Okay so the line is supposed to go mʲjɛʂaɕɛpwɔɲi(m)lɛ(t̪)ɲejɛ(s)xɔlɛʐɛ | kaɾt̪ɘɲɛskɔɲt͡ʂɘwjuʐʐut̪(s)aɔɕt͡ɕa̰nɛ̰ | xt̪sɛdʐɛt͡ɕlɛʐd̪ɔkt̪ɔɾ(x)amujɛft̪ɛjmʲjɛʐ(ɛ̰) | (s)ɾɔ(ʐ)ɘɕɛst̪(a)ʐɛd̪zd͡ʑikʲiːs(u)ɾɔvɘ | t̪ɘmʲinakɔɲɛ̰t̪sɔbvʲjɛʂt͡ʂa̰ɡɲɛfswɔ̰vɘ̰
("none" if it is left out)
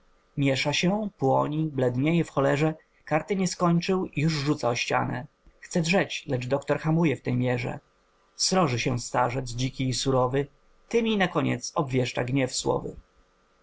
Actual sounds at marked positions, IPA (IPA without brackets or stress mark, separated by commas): b, d̪, f, s, x, ɛ̰, s, ʐ, a, u